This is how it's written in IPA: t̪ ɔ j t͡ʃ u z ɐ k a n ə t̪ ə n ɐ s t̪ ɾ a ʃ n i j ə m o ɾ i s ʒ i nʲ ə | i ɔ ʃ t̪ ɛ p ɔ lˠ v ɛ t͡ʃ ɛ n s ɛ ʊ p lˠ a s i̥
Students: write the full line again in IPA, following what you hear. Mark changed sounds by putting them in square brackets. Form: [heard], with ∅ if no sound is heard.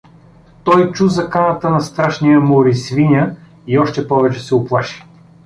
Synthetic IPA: t̪ ɔ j t͡ʃ u z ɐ k a n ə t̪ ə n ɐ s t̪ ɾ a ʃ n i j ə m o ɾ i s [v] i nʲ ə | i ɔ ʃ t̪ ɛ p ɔ [∅] v ɛ t͡ʃ ɛ [∅] s ɛ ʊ p lˠ a [ʃ] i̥